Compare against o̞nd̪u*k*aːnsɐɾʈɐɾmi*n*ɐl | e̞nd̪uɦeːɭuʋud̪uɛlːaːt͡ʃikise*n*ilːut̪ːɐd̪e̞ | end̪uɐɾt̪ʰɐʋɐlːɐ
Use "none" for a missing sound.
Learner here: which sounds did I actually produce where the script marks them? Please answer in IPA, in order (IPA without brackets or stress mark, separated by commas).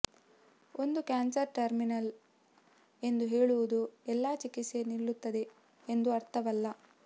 k, n, n